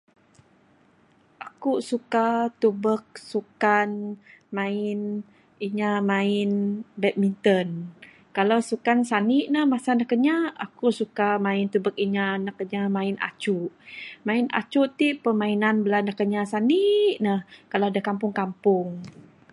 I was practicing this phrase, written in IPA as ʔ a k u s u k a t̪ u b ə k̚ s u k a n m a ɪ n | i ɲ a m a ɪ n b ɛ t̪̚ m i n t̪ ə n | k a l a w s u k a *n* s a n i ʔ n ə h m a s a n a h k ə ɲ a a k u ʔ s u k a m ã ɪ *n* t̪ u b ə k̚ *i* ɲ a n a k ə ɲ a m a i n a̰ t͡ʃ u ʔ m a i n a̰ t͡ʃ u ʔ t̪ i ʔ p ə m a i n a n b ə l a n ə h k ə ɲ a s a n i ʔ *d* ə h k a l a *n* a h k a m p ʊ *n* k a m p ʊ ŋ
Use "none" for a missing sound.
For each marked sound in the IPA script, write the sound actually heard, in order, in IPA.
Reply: n, n, i, n, d, ŋ

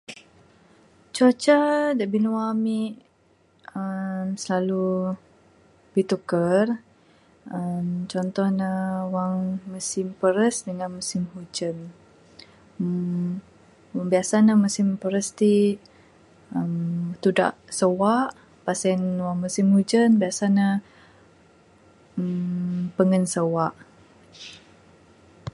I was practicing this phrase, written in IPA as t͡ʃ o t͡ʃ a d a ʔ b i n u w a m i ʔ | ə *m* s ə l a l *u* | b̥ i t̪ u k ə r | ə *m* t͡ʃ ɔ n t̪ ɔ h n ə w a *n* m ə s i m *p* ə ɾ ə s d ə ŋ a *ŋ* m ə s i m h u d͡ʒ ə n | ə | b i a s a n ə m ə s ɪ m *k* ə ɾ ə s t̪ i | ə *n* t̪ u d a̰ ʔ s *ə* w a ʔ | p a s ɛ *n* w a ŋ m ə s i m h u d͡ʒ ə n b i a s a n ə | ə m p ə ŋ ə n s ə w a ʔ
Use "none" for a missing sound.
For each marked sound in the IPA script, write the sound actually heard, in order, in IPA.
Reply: m, u, m, ŋ, p, n, p, m, ə, n

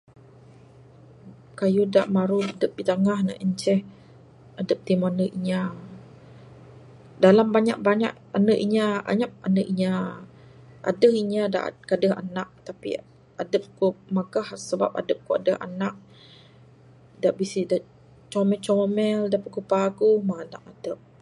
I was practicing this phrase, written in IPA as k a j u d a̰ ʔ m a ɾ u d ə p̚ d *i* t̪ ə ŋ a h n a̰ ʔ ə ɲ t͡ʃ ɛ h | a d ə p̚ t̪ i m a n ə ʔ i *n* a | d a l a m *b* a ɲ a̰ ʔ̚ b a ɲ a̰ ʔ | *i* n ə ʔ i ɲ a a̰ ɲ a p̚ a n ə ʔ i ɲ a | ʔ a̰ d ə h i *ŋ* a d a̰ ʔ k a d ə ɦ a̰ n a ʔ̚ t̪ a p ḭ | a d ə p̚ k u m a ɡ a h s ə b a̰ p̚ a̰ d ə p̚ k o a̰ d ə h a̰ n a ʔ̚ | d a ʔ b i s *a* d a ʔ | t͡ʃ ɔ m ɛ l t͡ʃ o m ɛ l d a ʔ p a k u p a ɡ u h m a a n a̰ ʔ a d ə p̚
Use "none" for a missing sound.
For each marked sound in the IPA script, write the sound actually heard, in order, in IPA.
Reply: i, ɲ, b, a, ɲ, i

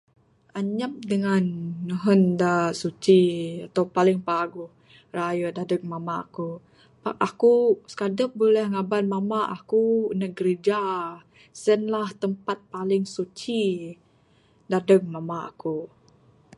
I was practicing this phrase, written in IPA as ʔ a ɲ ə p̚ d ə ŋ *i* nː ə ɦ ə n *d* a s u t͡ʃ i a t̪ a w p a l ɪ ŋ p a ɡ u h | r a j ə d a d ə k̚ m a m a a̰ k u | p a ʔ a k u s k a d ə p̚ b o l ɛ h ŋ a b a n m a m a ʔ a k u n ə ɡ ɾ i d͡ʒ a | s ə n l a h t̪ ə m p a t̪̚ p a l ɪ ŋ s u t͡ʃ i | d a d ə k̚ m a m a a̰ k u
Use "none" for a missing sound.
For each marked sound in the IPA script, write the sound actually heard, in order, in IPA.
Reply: a, d

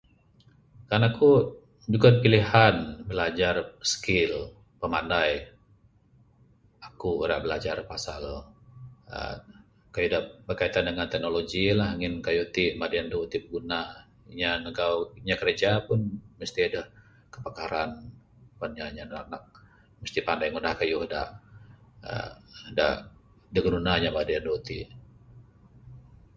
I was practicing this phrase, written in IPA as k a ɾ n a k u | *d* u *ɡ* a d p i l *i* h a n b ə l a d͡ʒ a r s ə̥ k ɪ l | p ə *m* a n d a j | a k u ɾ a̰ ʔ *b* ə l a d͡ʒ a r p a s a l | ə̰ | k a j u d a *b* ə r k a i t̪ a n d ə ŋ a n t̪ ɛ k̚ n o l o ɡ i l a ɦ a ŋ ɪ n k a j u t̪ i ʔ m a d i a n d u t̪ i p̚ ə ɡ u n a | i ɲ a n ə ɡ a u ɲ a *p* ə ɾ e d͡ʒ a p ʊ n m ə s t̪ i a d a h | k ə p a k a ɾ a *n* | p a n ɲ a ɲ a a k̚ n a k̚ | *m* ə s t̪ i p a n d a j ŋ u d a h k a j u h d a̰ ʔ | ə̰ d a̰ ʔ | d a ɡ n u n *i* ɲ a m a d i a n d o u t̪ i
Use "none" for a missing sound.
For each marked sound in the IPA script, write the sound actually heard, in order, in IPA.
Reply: d͡ʒ, ɡ, i, m, b, b, k, n, m, a

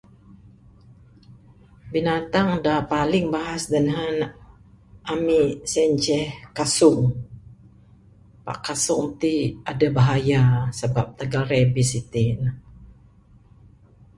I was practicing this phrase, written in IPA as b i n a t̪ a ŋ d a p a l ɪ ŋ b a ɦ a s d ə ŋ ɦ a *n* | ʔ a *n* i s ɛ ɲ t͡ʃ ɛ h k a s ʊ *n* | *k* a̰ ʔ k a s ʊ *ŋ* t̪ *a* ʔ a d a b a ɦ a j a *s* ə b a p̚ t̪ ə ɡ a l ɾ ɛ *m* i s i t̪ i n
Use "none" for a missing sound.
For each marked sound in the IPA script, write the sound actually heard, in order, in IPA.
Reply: n, m, ŋ, p, ŋ, i, s, b

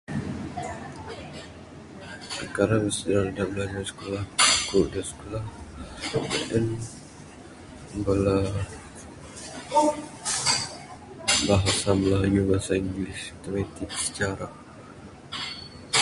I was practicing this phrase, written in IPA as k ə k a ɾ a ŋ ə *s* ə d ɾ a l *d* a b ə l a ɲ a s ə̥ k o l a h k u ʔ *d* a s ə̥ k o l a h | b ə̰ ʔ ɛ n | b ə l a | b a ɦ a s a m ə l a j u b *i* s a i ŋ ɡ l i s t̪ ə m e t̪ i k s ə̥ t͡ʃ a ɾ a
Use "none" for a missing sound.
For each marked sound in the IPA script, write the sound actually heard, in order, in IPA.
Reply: s, d, d, a

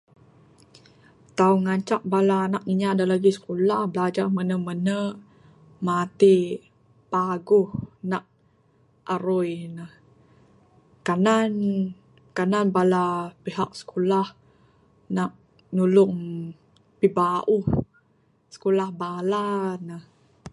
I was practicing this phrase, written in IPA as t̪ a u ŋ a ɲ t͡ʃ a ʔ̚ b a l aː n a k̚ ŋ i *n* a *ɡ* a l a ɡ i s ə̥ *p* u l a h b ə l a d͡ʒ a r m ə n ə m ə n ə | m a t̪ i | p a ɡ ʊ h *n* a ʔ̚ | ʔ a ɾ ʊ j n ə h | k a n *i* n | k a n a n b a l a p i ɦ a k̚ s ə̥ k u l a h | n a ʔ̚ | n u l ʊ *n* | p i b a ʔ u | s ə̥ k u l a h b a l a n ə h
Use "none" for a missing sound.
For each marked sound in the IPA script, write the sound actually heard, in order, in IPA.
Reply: ɲ, d, k, n, a, ŋ

